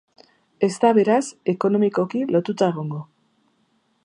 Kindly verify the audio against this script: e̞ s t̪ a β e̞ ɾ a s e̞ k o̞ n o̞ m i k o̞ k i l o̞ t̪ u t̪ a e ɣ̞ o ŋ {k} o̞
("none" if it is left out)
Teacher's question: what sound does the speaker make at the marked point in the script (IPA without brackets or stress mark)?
ɡ